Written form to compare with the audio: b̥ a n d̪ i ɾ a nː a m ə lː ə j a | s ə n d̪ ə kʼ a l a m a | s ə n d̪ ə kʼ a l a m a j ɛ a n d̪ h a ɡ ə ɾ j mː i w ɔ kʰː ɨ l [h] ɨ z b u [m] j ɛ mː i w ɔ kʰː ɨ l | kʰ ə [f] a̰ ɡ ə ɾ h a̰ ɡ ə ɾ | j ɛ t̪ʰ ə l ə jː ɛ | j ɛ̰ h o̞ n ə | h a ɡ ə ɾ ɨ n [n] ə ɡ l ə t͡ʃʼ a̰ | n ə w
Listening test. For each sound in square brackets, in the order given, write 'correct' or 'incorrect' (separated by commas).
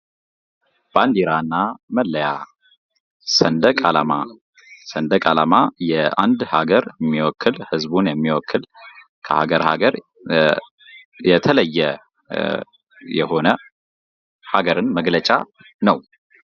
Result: correct, incorrect, incorrect, incorrect